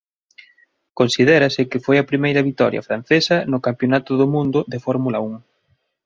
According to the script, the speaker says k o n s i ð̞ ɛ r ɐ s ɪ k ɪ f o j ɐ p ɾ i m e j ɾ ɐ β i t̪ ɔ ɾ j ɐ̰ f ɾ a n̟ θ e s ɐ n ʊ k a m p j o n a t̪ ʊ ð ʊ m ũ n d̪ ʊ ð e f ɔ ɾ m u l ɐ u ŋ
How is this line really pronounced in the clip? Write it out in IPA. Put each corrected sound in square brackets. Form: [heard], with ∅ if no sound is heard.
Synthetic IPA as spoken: k o n s i ð̞ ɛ [ɾ] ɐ s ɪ k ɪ f o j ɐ p ɾ i m e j ɾ ɐ β i t̪ ɔ ɾ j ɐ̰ f ɾ a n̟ θ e s ɐ n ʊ k a m p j o n a t̪ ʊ ð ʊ m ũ n d̪ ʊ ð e f ɔ ɾ m u l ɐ u ŋ